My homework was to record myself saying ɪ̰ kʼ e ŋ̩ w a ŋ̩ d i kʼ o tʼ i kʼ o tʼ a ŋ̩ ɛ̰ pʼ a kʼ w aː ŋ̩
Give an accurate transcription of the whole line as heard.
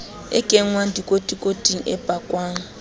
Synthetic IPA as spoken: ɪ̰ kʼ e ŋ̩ w a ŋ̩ d i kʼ o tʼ i kʼ o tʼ i ŋ̩ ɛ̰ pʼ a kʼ w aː ŋ̩